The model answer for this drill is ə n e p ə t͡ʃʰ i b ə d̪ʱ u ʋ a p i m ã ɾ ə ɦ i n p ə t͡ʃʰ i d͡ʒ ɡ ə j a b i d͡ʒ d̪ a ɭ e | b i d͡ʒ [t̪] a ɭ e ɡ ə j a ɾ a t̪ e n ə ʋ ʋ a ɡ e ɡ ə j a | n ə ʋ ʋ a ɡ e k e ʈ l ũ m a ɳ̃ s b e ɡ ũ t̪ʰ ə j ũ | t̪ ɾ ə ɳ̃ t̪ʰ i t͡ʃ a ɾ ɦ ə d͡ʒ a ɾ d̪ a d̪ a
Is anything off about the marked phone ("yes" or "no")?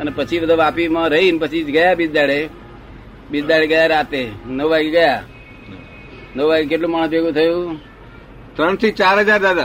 yes